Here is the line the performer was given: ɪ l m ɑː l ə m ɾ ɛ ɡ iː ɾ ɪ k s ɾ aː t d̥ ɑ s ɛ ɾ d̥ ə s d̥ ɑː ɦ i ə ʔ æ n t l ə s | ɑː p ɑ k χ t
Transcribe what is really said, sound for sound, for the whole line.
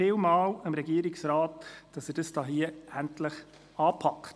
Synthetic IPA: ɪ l m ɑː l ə m ɾ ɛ ɡ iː ɾ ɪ k s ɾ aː t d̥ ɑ s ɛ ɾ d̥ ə s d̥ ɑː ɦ i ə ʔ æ n t l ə χ | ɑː pʰ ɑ k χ t